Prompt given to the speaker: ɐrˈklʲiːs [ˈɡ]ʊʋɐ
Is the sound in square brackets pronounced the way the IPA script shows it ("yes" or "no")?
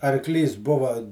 no